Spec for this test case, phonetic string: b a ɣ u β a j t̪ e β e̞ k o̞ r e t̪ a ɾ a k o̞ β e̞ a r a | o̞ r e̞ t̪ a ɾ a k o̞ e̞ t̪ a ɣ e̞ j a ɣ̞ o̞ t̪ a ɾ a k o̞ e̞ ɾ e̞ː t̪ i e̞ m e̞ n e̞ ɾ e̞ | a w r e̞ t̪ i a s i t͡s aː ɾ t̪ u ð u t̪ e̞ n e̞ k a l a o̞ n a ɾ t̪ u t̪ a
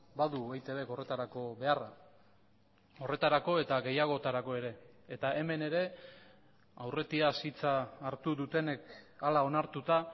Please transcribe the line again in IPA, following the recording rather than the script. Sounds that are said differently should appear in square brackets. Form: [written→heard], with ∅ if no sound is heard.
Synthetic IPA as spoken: b a [ɣ→ð] u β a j t̪ e β e̞ k o̞ r e t̪ a ɾ a k o̞ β e̞ a r a | o̞ r e̞ t̪ a ɾ a k o̞ e̞ t̪ a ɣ e̞ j a ɣ̞ o̞ t̪ a ɾ a k o̞ e̞ ɾ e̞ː t̪ [i→a] e̞ m e̞ n e̞ ɾ e̞ | a w r e̞ t̪ i a s i t͡s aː ɾ t̪ u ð u t̪ e̞ n e̞ k a l a o̞ n a ɾ t̪ u t̪ a